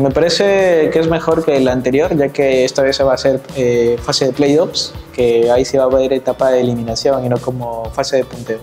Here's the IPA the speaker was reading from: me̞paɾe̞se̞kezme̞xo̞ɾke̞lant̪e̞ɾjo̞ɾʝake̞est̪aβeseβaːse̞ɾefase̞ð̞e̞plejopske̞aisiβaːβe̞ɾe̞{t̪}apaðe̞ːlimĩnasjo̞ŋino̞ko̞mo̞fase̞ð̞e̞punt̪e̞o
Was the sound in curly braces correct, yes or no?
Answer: yes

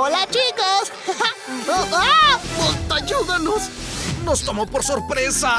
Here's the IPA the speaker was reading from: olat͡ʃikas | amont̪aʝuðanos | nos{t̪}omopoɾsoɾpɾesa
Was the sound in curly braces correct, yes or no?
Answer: yes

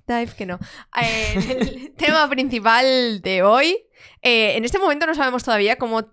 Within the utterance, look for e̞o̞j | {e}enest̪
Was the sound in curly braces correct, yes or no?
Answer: yes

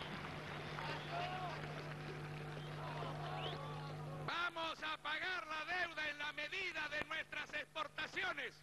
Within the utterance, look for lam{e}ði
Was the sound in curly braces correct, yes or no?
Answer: yes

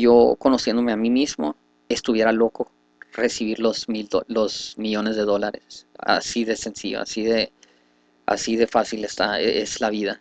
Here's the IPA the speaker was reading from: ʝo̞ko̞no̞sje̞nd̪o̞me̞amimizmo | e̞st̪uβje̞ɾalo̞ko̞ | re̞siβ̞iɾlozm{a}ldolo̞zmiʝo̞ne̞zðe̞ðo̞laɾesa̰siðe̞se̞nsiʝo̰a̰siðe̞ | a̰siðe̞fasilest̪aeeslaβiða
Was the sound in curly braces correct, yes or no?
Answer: no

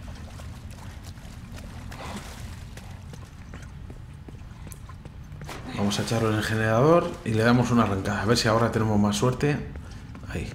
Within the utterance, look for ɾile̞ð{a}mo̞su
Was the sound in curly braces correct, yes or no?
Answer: yes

